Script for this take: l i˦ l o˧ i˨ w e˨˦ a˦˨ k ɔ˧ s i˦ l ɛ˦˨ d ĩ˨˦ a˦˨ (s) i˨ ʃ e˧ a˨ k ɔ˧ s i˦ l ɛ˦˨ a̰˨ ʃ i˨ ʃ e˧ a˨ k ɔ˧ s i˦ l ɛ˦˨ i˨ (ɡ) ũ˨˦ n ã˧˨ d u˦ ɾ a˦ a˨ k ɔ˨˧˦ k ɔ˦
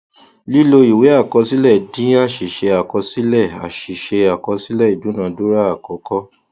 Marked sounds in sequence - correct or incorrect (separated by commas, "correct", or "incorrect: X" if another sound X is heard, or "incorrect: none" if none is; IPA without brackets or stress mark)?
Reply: incorrect: ʃ, incorrect: d